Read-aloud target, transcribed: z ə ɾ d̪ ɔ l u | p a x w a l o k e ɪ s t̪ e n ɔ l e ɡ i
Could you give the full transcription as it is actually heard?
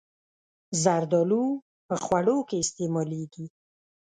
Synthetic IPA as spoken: z a ɾ d̪ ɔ l u | p ə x w a ɽ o k e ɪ s t̪ e m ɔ l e ɡ i